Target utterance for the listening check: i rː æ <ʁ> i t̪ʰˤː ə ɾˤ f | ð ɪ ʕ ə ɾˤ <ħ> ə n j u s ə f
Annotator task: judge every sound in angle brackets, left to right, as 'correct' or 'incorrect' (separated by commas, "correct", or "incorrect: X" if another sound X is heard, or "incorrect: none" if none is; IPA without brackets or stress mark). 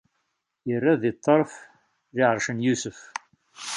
incorrect: ð, incorrect: ʃ